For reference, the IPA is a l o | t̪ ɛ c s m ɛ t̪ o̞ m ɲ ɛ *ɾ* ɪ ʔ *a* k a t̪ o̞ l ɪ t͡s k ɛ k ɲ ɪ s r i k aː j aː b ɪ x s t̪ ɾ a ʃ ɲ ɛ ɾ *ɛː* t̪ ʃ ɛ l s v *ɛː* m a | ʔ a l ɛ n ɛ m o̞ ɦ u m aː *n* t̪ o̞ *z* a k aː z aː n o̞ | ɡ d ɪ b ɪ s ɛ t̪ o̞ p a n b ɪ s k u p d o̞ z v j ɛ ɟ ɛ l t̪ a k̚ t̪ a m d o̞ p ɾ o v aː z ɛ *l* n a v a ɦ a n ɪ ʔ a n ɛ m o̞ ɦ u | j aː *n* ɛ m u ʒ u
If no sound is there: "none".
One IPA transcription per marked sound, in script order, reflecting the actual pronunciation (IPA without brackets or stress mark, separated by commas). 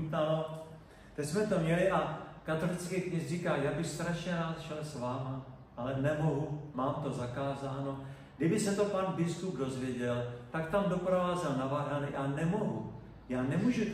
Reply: l, a, aː, aː, m, z, l, n